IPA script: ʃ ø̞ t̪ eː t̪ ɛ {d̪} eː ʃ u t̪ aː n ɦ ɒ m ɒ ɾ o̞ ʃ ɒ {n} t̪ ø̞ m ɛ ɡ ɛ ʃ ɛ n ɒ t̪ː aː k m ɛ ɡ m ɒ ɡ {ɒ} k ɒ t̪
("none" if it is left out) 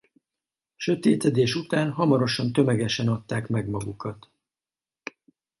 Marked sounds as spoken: d̪, n, u

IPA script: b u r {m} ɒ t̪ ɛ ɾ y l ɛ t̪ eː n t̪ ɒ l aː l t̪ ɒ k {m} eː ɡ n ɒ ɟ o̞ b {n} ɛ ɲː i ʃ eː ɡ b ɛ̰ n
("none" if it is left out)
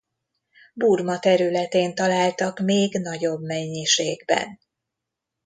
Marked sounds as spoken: m, m, m

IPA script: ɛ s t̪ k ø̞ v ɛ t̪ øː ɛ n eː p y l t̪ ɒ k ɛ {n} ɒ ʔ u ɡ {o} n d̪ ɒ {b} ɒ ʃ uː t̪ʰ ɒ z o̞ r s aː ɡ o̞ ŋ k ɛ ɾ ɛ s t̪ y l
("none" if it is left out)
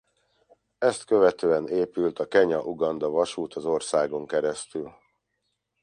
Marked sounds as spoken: ɲ, ɒ, v

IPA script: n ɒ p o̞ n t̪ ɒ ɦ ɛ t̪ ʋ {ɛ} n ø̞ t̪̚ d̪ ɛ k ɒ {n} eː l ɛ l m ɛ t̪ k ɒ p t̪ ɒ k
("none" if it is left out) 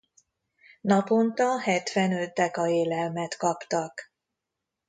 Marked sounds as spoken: ɛ, none

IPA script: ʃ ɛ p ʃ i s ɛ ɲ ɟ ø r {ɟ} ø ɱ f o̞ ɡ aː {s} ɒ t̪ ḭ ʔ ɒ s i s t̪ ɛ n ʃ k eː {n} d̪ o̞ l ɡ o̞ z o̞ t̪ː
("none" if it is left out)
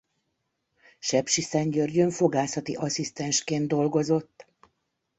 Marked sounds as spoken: ɟ, s, n

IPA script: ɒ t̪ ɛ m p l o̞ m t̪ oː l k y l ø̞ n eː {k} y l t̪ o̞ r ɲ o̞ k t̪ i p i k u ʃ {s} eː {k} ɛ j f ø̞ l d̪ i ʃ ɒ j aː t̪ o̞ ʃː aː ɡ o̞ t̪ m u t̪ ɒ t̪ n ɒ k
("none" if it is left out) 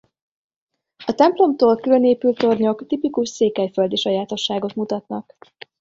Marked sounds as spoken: p, s, k

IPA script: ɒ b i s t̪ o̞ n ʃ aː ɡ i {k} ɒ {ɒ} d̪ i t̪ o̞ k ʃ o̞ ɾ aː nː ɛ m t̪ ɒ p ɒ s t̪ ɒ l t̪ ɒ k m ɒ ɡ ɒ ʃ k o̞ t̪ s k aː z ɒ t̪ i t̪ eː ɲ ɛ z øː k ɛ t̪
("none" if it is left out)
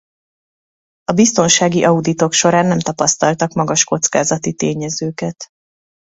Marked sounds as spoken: ʔ, u

